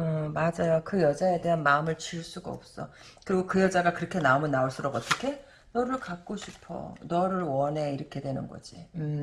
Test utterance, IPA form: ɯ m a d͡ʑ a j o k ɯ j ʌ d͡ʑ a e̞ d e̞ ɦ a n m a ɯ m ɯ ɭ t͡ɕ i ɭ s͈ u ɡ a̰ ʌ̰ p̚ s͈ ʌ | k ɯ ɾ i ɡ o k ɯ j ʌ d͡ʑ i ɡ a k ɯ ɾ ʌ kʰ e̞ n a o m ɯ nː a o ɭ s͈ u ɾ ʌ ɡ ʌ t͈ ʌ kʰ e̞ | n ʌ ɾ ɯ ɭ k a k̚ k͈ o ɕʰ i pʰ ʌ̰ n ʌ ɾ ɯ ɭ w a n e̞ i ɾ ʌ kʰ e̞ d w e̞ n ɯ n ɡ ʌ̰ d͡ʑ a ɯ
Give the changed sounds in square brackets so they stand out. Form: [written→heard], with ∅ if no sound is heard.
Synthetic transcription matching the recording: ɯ m a d͡ʑ a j o k ɯ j ʌ d͡ʑ a e̞ d e̞ ɦ a n m a ɯ m ɯ ɭ t͡ɕ i ɭ s͈ u ɡ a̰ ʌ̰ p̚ s͈ ʌ | k ɯ ɾ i ɡ o k ɯ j ʌ d͡ʑ [i→a] ɡ a k ɯ ɾ ʌ kʰ e̞ n a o m ɯ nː a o ɭ s͈ u ɾ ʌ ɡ ʌ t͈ ʌ kʰ e̞ | n ʌ ɾ ɯ ɭ k a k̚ k͈ o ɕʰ i pʰ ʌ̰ n ʌ ɾ ɯ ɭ w [a→ʌ] n e̞ i ɾ ʌ kʰ e̞ d w e̞ n ɯ n ɡ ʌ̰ d͡ʑ [a→i] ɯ